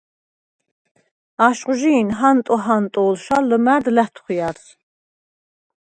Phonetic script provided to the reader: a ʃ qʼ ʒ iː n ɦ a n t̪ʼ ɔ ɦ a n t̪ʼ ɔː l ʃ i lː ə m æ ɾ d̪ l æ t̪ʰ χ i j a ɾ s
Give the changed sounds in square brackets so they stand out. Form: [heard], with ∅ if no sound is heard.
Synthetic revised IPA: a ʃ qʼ ʒ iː n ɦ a n t̪ʼ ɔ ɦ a n t̪ʼ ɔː l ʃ [a] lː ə m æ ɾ d̪ l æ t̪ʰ χ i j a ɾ s